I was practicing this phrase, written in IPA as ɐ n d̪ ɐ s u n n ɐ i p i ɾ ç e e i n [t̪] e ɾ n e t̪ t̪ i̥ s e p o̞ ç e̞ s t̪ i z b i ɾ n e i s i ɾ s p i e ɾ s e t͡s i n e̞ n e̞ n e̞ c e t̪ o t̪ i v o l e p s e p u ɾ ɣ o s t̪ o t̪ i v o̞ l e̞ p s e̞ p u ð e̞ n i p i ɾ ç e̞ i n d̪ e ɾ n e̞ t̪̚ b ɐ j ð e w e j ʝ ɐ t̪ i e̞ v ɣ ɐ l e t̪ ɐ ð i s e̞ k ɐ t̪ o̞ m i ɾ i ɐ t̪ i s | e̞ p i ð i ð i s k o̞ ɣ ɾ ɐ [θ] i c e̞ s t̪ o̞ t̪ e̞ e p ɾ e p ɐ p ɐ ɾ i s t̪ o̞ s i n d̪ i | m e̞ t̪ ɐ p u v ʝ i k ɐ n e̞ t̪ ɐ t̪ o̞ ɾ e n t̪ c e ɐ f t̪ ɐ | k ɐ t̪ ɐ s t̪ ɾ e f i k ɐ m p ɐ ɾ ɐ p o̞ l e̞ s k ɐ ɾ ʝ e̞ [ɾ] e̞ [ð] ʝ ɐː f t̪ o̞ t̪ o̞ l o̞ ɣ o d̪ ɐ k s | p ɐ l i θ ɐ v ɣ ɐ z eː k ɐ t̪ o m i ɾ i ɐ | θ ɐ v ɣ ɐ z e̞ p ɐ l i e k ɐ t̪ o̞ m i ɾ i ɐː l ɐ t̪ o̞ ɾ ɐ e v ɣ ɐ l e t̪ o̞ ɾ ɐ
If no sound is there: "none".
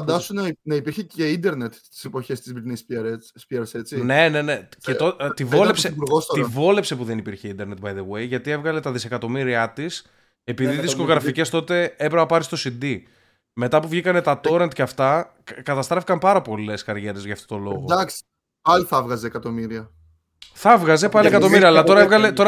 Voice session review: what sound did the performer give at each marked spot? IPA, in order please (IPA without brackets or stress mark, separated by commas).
d̪, f, ɾ, z